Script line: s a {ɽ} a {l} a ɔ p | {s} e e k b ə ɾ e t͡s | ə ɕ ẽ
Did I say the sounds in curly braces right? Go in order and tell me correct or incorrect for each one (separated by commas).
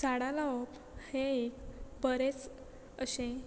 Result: correct, correct, incorrect